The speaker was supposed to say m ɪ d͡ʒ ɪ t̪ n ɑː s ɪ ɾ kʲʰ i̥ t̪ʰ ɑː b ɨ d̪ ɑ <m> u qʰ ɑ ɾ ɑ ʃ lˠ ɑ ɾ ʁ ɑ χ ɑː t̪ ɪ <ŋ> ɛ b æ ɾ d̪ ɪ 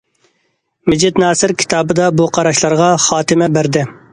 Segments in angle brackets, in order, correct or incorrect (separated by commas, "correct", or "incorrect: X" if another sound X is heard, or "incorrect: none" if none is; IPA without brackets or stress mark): incorrect: b, incorrect: m